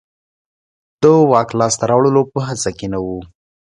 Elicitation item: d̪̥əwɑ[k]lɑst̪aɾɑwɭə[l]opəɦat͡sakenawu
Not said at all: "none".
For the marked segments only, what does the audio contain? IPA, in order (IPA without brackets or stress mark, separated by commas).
k, l